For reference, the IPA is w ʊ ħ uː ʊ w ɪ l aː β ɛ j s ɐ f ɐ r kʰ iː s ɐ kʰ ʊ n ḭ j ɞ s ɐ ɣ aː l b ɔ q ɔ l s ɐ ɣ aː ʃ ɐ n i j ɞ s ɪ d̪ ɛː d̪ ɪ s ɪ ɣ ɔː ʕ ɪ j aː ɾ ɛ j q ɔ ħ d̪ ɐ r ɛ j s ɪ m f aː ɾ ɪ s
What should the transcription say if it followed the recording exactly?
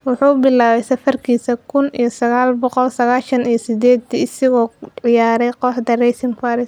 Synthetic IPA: w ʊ ħ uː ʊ b ɪ l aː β ɛ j s ɐ f ɐ r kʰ iː s ɐ kʰ ʊ n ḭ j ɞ s ɐ ɣ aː l b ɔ q ɔ l s ɐ ɣ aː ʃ ɐ n i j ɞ s ɪ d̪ ɛː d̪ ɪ s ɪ ɣ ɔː ʕ ɪ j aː ɾ ɛ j q ɔ ħ d̪ ɐ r ɛ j s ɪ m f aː ɾ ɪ s